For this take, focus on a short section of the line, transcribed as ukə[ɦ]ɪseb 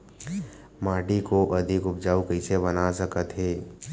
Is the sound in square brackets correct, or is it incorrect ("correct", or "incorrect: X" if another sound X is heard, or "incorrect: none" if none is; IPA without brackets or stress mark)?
incorrect: none